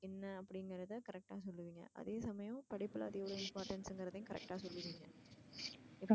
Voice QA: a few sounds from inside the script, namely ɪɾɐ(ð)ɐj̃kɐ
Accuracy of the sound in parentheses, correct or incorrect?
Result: correct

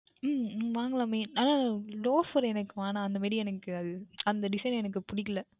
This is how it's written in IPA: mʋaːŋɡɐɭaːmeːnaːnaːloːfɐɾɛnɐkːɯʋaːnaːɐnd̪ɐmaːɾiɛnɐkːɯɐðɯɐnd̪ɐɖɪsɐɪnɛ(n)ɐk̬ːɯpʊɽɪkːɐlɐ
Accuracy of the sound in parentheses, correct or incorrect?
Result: correct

